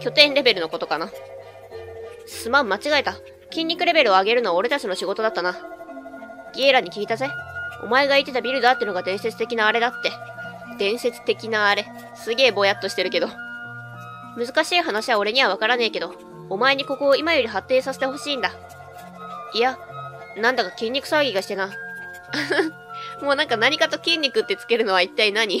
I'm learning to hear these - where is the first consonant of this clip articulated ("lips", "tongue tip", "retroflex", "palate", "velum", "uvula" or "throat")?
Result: velum